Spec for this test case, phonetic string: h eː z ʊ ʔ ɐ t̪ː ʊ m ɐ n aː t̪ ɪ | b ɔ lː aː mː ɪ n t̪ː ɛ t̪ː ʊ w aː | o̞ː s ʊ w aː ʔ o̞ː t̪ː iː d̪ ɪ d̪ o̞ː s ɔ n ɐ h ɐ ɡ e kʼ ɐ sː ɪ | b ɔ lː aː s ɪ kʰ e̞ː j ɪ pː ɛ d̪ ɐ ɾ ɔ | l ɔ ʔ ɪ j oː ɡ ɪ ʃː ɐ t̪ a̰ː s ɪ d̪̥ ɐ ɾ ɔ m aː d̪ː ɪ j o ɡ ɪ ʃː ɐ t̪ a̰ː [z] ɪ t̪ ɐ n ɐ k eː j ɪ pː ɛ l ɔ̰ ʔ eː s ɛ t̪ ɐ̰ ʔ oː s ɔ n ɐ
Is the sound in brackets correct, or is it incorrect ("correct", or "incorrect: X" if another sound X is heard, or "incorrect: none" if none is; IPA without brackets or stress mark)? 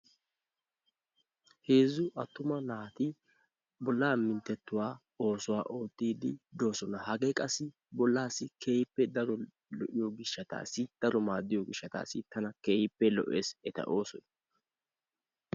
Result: incorrect: s